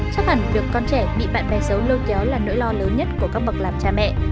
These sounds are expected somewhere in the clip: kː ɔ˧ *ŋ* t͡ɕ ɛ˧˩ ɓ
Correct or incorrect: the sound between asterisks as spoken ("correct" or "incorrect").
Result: incorrect